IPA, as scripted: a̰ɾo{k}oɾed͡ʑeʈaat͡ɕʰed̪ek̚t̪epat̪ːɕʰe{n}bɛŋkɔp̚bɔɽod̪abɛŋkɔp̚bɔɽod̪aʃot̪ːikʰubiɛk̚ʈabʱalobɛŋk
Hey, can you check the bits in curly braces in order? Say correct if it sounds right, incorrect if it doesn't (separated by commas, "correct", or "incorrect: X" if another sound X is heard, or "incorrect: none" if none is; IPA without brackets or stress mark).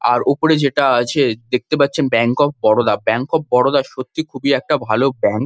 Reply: incorrect: p, correct